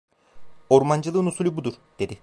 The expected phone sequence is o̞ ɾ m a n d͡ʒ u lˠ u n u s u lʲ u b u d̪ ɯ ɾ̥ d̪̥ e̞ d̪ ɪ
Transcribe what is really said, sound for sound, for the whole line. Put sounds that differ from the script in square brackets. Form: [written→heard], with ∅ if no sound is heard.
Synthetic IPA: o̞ ɾ m a n d͡ʒ [u→ɯ] lˠ [u→ɯ] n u s u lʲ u b u d̪ [ɯ→u] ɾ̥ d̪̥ e̞ d̪ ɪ